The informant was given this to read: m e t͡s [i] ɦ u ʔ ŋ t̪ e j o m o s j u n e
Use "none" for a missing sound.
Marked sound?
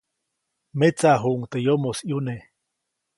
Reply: a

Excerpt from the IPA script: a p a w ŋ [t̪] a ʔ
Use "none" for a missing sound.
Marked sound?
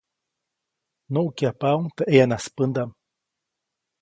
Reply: t̪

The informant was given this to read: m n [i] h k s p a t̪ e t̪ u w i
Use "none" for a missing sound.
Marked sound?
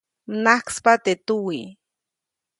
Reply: a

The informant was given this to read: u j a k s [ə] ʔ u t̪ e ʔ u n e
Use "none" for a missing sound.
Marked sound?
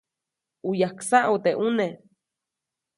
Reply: a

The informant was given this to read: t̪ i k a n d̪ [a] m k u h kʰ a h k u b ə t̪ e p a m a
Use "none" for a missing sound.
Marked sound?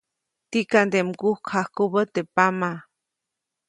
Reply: e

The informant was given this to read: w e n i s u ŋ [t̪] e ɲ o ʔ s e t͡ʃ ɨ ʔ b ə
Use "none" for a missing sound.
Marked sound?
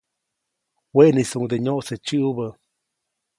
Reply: d̪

